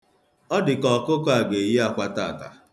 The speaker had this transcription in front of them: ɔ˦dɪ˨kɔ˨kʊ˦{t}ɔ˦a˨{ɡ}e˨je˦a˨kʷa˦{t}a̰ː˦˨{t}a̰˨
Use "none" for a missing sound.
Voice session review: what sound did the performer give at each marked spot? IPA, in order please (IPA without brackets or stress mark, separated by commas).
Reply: k, ɡ, t, t